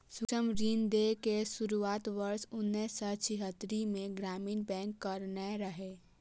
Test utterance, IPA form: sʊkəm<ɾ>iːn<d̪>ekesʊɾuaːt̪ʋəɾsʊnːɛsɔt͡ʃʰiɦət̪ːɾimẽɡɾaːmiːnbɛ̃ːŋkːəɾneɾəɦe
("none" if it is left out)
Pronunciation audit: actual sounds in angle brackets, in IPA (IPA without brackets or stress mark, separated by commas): ɾ, d̪